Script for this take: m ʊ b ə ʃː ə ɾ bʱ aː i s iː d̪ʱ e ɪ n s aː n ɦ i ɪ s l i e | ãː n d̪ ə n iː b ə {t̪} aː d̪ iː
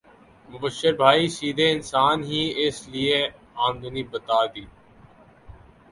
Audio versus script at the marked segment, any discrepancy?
no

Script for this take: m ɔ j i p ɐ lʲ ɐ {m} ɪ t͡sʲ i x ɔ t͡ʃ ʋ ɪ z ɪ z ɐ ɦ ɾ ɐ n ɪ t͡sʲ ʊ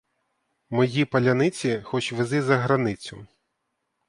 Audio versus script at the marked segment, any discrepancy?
yes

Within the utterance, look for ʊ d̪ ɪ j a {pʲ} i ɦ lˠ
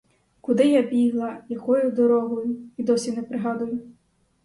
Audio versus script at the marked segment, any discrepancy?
yes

